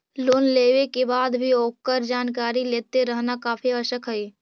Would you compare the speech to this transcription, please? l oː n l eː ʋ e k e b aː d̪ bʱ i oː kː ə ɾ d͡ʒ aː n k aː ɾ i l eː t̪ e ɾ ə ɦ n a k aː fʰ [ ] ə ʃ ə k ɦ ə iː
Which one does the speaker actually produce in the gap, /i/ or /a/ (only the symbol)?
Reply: i